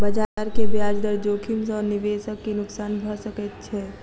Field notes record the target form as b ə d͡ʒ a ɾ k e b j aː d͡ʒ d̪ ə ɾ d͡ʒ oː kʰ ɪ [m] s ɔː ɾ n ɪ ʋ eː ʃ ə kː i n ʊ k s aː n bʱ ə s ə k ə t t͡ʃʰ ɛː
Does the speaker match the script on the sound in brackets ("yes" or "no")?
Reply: yes